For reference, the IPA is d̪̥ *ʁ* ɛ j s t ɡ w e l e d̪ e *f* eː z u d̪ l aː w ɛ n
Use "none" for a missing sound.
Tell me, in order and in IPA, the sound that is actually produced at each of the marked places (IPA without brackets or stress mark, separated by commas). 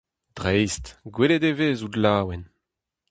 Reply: ʁ, v